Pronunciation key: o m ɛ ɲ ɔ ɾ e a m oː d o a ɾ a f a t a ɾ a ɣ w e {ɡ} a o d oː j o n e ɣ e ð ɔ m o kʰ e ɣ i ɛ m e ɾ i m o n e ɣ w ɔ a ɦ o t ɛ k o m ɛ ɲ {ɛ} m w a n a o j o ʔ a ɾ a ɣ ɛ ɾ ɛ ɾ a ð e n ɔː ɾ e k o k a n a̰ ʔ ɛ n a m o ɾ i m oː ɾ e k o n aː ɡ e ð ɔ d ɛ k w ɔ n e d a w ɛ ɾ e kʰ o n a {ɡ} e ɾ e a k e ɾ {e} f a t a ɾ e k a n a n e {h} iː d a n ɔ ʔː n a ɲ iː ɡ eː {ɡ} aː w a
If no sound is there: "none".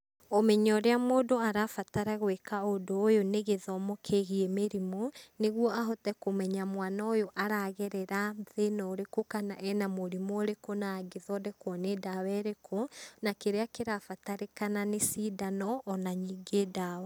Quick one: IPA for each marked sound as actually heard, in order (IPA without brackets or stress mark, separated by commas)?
k, a, k, a, s, d